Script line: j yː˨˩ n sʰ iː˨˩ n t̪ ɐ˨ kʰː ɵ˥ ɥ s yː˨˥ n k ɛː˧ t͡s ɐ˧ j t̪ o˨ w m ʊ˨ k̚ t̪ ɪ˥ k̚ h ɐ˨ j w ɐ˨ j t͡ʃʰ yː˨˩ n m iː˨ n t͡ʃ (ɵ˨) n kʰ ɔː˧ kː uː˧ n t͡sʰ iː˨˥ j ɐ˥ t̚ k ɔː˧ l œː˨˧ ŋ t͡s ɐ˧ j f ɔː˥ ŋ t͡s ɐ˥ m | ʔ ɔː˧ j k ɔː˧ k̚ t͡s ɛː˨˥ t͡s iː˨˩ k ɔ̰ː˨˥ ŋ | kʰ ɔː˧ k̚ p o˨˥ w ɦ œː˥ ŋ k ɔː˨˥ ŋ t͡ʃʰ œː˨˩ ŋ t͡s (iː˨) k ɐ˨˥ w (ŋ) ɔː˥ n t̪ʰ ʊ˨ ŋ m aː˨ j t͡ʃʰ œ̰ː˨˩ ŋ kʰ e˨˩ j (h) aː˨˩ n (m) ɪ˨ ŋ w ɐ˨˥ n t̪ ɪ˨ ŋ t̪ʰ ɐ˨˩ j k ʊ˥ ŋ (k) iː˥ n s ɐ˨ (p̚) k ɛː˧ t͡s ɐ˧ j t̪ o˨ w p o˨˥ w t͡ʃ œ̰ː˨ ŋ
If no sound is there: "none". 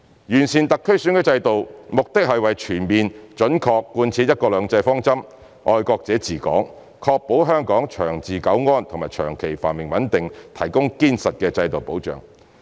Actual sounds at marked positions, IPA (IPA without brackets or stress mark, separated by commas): ɵ˨˥, iː˨, ŋ, f, m, k, t̚